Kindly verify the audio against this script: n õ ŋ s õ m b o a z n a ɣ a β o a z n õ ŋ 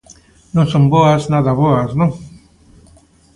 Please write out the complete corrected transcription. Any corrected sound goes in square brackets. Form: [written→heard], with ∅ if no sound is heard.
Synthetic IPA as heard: n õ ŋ s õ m b o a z n a [ɣ→ð] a β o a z n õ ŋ